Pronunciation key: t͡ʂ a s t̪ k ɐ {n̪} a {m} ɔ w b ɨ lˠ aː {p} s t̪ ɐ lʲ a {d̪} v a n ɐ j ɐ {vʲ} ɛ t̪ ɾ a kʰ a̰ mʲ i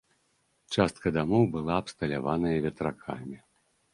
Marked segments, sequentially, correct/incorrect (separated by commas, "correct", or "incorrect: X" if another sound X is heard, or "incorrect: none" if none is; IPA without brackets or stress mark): incorrect: d̪, correct, correct, incorrect: none, correct